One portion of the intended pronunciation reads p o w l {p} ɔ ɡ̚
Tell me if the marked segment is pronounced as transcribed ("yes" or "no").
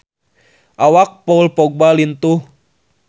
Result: yes